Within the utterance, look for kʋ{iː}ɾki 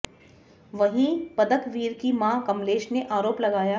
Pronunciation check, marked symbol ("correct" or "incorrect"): correct